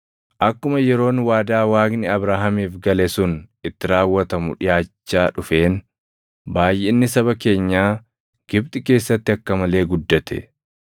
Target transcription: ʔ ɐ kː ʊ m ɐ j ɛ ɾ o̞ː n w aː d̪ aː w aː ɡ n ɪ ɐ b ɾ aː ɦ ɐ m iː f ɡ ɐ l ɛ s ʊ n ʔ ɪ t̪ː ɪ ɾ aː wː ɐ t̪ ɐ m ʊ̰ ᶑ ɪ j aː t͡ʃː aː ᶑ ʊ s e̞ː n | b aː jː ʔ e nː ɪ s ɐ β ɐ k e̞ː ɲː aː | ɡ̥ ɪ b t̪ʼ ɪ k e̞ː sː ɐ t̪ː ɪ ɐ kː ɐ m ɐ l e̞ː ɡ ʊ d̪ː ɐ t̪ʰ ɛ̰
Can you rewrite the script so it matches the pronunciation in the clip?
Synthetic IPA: ʔ ɐ kː ʊ m ɐ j ɛ ɾ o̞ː n w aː d̪ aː w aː ɡ n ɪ ɐ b ɾ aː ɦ ɐ m iː f ɡ ɐ l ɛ s ʊ n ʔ ɪ t̪ː ɪ ɾ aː wː ɐ t̪ ɐ m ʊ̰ ᶑ ɪ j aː t͡ʃː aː ᶑ ʊ f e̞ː n | b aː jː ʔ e nː ɪ s ɐ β ɐ k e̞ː ɲː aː | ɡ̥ ɪ b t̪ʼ ɪ k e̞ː sː ɐ t̪ː ɪ ɐ kː ɐ m ɐ l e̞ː ɡ ʊ d̪ː ɐ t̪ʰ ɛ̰